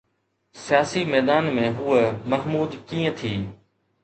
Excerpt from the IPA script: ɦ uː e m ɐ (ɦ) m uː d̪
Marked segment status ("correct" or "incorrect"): correct